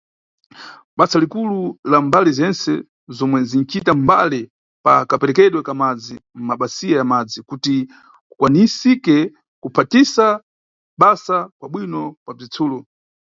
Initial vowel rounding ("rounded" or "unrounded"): unrounded